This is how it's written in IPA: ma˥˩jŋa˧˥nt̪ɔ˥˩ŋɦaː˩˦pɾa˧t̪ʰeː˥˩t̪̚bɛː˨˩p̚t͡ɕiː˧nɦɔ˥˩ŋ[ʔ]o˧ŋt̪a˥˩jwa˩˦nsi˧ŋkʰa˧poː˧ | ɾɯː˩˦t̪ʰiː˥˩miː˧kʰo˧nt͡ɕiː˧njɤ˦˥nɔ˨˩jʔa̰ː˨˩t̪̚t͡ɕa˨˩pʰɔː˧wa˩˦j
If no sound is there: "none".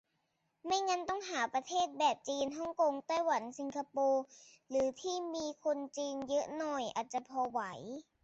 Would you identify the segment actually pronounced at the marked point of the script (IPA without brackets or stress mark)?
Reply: k